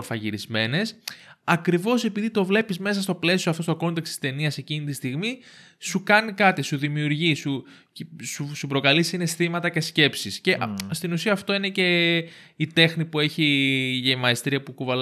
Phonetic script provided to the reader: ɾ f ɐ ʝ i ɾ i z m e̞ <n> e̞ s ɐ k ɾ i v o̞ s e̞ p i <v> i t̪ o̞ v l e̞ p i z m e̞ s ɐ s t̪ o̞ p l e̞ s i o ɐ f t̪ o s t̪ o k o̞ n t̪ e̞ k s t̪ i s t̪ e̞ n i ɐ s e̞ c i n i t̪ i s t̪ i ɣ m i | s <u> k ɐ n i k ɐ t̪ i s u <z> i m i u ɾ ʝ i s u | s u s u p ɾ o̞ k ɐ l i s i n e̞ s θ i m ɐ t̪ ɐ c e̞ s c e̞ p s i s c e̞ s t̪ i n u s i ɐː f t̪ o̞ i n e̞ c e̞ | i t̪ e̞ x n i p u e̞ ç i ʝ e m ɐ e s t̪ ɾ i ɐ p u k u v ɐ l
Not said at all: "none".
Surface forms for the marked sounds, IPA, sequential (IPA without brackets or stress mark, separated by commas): n, ð, u, ð